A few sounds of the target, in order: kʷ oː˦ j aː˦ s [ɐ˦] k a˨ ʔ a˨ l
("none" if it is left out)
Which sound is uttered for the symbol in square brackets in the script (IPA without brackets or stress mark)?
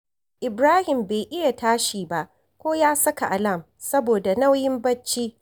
ɐ˦